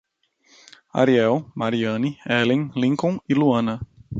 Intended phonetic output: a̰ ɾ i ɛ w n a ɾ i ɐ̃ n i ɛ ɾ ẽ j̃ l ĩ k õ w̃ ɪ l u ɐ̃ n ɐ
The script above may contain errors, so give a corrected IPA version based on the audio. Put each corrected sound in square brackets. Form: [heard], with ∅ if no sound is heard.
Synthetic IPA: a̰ ɾ i ɛ w [m] a ɾ i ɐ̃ n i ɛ [l] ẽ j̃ l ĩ k õ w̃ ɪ l u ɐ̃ n ɐ